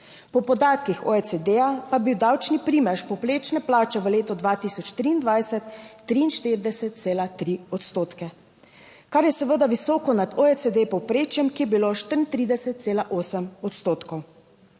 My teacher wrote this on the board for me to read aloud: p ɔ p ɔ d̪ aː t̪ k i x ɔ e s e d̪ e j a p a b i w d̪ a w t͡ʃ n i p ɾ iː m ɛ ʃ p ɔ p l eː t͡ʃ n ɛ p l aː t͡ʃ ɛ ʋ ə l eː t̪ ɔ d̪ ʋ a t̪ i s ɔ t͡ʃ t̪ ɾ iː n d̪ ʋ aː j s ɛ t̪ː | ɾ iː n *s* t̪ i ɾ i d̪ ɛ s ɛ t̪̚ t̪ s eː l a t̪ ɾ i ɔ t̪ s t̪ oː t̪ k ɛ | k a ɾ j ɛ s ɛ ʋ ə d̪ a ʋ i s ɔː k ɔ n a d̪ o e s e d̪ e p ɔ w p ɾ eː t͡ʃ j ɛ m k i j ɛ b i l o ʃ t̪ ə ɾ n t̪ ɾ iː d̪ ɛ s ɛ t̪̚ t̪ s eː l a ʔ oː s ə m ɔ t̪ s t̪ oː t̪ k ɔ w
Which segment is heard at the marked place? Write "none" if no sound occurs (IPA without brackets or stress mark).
ʃ